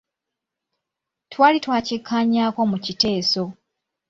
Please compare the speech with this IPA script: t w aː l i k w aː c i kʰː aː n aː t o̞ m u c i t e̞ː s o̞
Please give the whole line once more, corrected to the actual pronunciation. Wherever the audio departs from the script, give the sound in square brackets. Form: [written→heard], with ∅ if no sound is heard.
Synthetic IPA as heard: t w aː l i [k→t] w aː c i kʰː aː [n→ɲ] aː [t→k] o̞ m u c i t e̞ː s o̞